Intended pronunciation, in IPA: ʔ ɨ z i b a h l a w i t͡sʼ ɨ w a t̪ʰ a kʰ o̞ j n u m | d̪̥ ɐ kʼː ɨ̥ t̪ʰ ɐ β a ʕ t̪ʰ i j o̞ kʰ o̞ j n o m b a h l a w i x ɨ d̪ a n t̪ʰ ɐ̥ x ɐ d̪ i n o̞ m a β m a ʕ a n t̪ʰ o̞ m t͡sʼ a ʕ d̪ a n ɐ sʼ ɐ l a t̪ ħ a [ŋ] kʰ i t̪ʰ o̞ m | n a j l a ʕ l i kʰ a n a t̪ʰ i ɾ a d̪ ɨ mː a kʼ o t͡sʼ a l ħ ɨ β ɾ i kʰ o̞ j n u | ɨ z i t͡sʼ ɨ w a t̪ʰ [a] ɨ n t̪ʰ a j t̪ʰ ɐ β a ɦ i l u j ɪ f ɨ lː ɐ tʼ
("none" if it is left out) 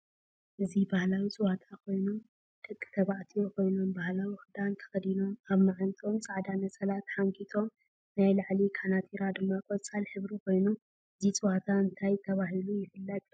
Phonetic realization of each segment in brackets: ŋ, a

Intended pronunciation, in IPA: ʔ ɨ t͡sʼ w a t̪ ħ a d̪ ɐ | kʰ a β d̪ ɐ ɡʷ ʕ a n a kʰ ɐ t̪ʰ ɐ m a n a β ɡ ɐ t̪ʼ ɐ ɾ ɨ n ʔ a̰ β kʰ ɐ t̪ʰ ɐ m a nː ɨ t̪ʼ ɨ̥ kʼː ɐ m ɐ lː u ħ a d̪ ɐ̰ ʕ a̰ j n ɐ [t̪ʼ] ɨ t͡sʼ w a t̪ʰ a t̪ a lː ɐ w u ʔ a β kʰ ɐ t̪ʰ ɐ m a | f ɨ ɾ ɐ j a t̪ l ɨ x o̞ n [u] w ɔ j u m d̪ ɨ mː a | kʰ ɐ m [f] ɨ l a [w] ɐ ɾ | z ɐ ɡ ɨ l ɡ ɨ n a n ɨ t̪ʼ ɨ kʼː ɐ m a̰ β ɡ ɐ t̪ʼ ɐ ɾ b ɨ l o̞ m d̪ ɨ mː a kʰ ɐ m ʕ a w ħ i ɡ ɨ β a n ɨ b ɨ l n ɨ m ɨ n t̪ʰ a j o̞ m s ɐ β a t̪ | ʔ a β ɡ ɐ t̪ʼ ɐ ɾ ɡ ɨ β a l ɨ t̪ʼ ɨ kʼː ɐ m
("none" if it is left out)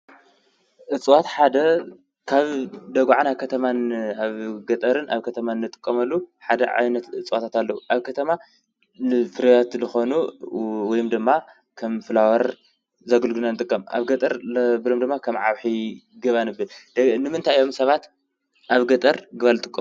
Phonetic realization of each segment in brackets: t̪, u, f, w

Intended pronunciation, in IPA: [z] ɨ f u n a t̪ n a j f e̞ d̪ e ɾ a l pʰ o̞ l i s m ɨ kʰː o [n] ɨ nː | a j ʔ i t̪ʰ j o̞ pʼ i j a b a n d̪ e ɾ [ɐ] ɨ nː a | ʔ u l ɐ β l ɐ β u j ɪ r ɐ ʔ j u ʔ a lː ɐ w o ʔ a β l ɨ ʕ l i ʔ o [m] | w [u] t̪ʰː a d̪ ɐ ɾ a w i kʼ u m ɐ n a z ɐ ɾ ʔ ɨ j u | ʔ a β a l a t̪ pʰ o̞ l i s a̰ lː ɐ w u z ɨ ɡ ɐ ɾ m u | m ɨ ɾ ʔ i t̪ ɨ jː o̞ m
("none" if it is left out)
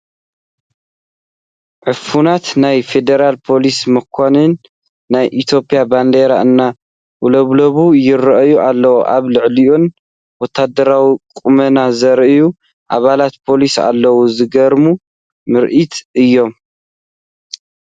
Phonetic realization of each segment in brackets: ʕ, n, a, n, ɔ

